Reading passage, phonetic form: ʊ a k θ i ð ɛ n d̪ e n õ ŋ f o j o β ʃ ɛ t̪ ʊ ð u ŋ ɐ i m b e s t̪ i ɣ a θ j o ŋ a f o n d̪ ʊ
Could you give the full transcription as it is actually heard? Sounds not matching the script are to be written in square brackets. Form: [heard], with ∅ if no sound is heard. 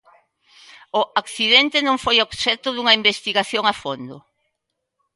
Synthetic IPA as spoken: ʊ a k θ i ð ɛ n [t̪] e n õ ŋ f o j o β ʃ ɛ t̪ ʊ ð u ŋ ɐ i m b e s t̪ i ɣ a θ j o ŋ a f o n d̪ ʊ